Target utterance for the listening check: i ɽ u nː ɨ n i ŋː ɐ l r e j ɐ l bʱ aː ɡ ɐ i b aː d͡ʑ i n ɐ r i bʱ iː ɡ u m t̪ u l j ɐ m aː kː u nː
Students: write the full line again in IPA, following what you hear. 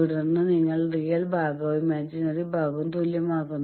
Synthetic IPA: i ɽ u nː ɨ n i ŋː ɐ ɭ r i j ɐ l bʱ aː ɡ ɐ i m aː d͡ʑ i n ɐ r i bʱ aː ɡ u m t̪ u l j ɐ m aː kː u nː